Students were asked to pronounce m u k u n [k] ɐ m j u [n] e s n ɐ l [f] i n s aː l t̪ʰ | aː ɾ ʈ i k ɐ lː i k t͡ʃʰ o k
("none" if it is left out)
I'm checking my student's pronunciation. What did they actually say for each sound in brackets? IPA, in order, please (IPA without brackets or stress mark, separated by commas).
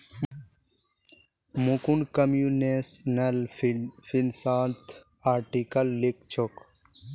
k, n, f